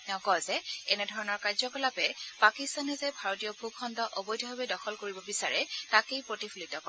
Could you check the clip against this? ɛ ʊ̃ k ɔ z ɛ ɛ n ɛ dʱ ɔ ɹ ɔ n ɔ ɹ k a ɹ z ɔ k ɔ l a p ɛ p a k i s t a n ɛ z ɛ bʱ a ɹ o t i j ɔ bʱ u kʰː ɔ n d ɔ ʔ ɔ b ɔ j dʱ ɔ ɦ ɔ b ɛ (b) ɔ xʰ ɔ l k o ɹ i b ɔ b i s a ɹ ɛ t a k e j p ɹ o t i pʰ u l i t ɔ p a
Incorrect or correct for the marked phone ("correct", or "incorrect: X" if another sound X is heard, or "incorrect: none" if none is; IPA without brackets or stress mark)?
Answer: incorrect: d